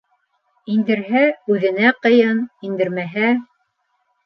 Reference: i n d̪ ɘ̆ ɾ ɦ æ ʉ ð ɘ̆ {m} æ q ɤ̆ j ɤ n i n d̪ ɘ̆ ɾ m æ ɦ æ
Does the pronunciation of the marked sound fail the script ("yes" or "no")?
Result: yes